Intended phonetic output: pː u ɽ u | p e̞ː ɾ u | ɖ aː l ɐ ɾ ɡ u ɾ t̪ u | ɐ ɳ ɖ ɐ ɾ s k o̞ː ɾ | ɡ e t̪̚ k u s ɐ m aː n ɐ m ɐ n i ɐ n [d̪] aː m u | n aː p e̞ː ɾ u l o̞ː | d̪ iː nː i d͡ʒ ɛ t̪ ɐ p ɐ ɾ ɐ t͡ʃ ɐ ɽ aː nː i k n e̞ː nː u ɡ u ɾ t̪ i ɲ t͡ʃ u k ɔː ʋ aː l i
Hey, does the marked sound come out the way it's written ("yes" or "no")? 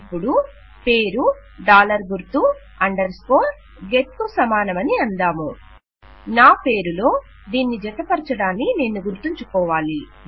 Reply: yes